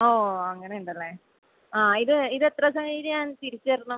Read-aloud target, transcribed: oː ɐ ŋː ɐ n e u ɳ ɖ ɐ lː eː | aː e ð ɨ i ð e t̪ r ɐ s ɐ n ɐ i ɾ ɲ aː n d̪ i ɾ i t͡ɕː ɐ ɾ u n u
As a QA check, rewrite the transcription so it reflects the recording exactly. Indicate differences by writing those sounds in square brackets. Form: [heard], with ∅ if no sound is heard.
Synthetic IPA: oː ɐ ŋː ɐ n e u ɳ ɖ ɐ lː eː | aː [i] ð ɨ i ð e t̪ r ɐ s ɐ [ŋ] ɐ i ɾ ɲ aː n [t̪] i ɾ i t͡ɕː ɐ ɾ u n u